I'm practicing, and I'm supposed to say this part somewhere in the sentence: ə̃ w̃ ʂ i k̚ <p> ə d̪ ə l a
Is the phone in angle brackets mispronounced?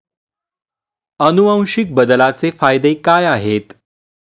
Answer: yes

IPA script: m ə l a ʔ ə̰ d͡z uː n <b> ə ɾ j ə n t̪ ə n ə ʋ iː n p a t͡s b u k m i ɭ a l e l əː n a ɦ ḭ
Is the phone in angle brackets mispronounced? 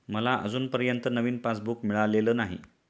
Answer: yes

